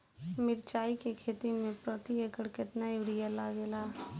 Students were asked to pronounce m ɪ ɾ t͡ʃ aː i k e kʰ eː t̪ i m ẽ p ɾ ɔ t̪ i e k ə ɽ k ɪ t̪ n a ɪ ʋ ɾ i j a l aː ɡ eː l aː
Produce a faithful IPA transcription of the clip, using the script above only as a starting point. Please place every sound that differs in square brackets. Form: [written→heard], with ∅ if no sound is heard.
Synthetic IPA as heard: m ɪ ɾ t͡ʃ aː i k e kʰ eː t̪ i m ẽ p ɾ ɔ t̪ i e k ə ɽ k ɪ t̪ n a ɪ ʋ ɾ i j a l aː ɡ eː l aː